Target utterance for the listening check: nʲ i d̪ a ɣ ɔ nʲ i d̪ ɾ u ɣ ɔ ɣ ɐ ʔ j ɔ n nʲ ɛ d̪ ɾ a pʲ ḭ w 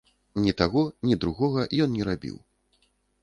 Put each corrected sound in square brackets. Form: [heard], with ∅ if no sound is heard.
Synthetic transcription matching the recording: nʲ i [t̪] a ɣ ɔ nʲ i d̪ ɾ u ɣ ɔ ɣ ɐ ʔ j ɔ n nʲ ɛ [∅] ɾ a [bʲ] ḭ w

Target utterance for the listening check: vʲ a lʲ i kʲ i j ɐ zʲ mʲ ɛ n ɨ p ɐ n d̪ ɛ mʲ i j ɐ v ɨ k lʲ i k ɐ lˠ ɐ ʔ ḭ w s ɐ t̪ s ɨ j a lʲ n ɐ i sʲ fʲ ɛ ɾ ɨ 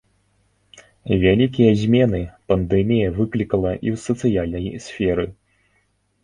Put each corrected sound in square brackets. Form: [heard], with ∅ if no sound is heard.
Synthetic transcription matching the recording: vʲ a lʲ i kʲ i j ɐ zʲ mʲ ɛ n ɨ p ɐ n d̪ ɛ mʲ i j ɐ v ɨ k lʲ i k ɐ lˠ ɐ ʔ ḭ w s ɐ t̪ s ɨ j a lʲ n ɐ [j] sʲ fʲ ɛ ɾ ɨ

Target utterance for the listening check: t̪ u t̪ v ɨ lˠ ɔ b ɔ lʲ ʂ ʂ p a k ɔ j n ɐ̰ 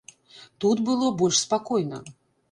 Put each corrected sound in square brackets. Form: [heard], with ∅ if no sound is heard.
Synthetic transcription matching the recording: t̪ u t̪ [b] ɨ lˠ ɔ b ɔ lʲ ʂ [s] p a k ɔ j n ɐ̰

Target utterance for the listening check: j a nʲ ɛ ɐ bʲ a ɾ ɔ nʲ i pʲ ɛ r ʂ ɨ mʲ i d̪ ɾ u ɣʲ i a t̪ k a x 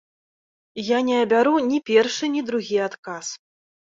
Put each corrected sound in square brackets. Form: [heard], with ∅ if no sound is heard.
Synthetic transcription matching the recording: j a nʲ ɛ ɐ bʲ a ɾ [u] nʲ i pʲ ɛ r ʂ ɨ [nʲ] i d̪ ɾ u ɣʲ i a t̪ k a [s]

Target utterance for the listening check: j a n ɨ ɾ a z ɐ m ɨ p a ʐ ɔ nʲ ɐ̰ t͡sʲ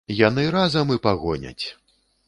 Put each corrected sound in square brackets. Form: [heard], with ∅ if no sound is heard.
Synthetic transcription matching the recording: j a n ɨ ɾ a z ɐ m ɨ p a [ɣ] ɔ nʲ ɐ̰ t͡sʲ

